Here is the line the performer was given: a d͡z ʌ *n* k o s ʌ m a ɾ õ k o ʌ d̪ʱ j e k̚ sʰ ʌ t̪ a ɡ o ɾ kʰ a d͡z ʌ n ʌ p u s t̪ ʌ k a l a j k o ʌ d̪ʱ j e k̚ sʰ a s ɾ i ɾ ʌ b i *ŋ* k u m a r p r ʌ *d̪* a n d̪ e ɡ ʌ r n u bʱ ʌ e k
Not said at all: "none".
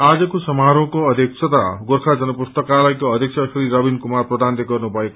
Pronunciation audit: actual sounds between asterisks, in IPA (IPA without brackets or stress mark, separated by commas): none, n, d̪